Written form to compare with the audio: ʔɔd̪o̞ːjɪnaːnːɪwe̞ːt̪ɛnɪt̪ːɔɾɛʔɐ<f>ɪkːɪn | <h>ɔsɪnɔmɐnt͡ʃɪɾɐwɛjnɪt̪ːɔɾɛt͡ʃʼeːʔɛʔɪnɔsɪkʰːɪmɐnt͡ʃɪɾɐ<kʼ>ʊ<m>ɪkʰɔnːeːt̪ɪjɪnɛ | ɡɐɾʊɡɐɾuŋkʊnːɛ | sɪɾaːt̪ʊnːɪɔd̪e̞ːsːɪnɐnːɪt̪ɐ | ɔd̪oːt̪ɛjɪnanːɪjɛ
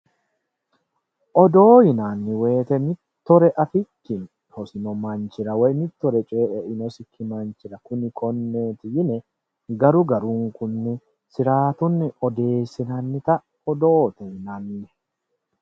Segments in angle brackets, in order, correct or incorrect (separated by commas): correct, correct, incorrect, incorrect